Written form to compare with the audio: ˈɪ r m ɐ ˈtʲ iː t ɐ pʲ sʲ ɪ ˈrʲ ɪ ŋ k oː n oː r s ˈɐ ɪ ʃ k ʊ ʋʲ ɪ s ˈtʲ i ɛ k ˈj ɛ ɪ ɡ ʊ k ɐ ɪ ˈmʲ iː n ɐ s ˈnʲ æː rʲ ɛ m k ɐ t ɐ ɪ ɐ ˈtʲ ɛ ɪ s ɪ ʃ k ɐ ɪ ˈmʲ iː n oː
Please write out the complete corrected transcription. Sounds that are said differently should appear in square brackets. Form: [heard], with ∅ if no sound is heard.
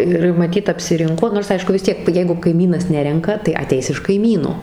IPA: ˈɪ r m ɐ ˈtʲ iː t ɐ pʲ sʲ ɪ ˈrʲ ɪ ŋ k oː n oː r s ˈɐ ɪ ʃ k ʊ ʋʲ ɪ s ˈtʲ i ɛ k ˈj ɛ ɪ ɡ ʊ k ɐ ɪ ˈmʲ iː n ɐ s ˈnʲ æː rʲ ɛ [ŋ] k ɐ t ɐ ɪ ɐ ˈtʲ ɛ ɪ s ɪ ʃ k ɐ ɪ ˈmʲ iː n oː